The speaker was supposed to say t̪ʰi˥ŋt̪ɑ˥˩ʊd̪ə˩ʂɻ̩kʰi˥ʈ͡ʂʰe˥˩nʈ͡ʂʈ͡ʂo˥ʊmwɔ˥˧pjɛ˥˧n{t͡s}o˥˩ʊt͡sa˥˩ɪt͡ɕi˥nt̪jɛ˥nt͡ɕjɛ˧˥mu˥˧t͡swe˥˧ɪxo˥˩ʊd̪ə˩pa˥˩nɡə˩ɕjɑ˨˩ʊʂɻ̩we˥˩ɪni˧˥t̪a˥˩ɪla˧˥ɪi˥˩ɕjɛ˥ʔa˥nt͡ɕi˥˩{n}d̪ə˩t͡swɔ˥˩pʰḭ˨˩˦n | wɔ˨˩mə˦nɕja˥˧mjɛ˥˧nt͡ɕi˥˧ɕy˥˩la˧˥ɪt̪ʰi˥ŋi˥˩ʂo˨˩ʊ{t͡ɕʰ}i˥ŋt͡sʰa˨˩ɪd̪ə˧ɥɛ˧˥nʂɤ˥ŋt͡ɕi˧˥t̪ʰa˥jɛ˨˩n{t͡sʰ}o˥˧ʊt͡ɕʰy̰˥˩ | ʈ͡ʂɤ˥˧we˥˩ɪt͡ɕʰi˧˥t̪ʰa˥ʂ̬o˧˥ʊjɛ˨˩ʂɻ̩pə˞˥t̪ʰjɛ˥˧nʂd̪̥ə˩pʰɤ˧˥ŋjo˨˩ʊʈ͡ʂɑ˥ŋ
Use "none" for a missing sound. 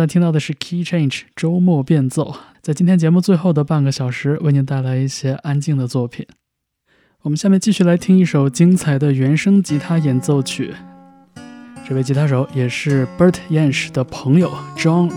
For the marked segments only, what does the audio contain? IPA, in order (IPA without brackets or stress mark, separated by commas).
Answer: t͡s, ŋ, t͡ɕ, t͡s